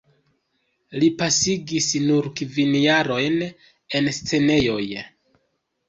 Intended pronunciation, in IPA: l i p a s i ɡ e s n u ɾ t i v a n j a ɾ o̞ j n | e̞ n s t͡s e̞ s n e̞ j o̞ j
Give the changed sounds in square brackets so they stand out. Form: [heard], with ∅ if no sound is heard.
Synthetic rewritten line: l i p a s i ɡ [i] s n u ɾ [k] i v [i] n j a ɾ o̞ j n | e̞ n s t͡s e̞ [∅] n e̞ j o̞ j